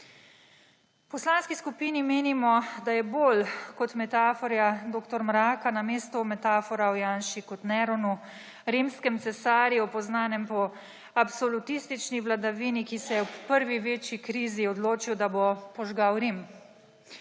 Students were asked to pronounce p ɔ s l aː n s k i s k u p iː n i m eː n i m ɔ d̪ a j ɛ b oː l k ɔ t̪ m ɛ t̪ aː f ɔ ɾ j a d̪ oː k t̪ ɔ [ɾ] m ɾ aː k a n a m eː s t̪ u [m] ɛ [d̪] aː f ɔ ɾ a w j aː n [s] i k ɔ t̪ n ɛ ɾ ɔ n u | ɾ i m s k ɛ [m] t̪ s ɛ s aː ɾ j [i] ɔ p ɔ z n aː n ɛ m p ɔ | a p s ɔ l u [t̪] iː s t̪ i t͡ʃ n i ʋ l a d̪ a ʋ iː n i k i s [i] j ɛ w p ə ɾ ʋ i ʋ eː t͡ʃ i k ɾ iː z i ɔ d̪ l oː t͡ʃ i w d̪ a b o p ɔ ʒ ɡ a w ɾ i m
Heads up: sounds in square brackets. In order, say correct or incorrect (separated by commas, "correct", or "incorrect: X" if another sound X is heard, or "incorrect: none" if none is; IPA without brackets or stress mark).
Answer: correct, correct, incorrect: t̪, incorrect: ʃ, correct, correct, correct, incorrect: ɛ